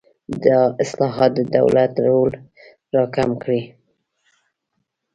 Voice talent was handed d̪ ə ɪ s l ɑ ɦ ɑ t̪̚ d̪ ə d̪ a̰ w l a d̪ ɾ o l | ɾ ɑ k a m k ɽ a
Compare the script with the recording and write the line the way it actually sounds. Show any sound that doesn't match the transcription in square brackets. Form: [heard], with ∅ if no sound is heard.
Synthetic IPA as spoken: d̪ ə ɪ s l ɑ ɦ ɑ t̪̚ d̪ ə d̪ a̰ w l a [t̪] ɾ o l | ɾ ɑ k a m k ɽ [i]

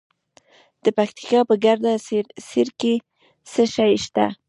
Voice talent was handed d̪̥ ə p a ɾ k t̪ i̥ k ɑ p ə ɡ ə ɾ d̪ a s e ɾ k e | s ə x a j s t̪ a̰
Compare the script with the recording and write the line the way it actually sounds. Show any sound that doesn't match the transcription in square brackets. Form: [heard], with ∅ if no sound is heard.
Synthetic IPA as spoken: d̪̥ ə p a [∅] k t̪ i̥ k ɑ p ə ɡ [a] ɾ d̪ a s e ɾ k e | s ə [ʃ] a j [ʃ] t̪ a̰

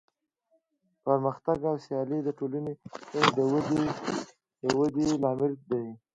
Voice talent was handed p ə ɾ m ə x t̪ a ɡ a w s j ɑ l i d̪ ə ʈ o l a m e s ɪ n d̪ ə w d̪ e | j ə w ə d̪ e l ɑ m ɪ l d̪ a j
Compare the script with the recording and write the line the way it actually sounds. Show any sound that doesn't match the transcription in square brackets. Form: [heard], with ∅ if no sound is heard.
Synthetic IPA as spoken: p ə ɾ m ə x t̪ a ɡ a w s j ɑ l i d̪ ə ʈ o l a [n] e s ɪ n d̪ ə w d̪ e | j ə w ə d̪ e l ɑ m ɪ l d̪ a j

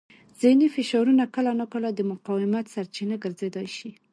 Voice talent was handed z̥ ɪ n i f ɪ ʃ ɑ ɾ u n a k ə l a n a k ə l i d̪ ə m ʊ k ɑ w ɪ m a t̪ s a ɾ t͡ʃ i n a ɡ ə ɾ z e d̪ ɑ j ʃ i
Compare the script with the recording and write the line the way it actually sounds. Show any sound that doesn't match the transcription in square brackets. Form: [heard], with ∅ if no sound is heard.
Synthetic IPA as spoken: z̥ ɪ n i f ɪ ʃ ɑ ɾ u n a k ə l a n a k ə l [a] d̪ ə m ʊ [q] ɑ w ɪ m a t̪ s a ɾ t͡ʃ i n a ɡ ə ɾ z e d̪ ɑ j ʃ i

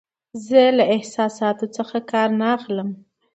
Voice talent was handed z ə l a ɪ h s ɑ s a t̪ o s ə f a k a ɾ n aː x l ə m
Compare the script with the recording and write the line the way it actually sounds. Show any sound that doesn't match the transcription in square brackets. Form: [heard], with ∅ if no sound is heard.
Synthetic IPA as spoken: z ə l a ɪ h s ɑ s [ɑ] t̪ o [t͡s] ə [x] a k [ɑ] ɾ n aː x l ə m

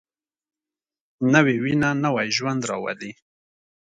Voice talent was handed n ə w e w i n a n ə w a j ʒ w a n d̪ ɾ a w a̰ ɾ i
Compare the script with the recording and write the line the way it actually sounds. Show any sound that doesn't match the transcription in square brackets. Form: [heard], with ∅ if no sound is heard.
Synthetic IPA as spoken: n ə w e w i n a n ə w a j ʒ w a n d̪ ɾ [ɑ] w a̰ [l] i

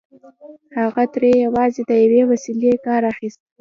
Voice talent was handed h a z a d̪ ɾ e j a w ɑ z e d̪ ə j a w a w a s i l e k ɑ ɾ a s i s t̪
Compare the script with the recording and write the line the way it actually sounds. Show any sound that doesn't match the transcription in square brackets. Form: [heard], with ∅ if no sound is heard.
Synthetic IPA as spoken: h a [ɣ] a [t̪] ɾ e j a w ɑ z e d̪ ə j a w [e] w a s i l e k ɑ ɾ a [x] i s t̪

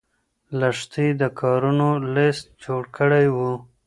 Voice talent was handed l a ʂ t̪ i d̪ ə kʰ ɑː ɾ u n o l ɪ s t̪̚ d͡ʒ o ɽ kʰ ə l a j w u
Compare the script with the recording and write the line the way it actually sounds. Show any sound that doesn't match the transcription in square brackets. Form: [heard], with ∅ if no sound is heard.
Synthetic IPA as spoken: l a ʂ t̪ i d̪ ə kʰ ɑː ɾ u n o l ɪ s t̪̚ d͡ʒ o ɽ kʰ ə [ɽ] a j w u

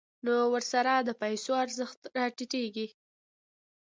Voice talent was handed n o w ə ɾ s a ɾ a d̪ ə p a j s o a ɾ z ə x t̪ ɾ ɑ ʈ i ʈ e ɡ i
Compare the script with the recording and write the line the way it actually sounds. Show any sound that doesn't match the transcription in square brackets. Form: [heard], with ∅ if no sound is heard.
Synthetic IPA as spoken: n o w ə ɾ s a ɾ a d̪ ə p a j s o a ɾ z ə x t̪ ɾ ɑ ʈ i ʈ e ɡ i

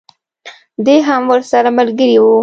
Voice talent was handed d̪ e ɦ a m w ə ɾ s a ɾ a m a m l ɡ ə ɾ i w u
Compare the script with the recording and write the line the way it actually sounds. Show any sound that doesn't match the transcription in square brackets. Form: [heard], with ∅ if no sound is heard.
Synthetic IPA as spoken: d̪ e ɦ a m w ə ɾ s a ɾ a m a [∅] l ɡ ə ɾ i w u

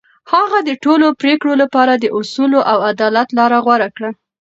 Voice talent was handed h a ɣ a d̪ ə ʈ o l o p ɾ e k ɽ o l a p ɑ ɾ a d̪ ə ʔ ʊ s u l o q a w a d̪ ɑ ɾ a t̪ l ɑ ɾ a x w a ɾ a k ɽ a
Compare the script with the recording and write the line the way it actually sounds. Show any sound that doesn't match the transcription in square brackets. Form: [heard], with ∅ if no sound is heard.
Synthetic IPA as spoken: h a ɣ a d̪ ə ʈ o l o p ɾ e k ɽ o l a p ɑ ɾ a d̪ ə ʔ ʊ s u l o [ʔ] a w a d̪ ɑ [l] a t̪ l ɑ ɾ a [ɣ] w a ɾ a k ɽ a

